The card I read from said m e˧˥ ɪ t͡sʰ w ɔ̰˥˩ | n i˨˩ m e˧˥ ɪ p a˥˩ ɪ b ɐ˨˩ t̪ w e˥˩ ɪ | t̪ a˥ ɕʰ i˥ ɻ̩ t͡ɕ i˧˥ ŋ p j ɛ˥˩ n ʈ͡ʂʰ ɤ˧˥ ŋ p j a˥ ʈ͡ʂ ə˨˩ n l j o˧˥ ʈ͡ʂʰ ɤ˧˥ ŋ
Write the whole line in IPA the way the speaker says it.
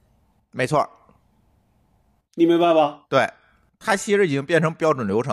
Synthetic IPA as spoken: m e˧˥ ɪ t͡sʰ w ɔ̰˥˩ | n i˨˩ m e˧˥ ɪ p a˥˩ ɪ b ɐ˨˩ t̪ w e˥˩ ɪ | t̪ʰ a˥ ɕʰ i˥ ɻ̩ t͡ɕ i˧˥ ŋ p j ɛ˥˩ n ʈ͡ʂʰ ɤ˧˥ ŋ p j ɑ˥ ʈ͡ʂ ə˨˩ n l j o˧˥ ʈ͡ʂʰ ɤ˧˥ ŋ